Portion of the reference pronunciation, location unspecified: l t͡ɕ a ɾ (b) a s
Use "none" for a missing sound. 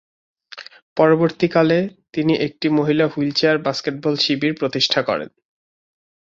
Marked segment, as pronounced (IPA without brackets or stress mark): b